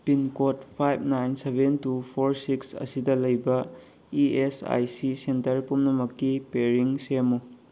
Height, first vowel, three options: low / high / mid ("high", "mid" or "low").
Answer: high